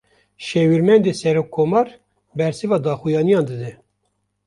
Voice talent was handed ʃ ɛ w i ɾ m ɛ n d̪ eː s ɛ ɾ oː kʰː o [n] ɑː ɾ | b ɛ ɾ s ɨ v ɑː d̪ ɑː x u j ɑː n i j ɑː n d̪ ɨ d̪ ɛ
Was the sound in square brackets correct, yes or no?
no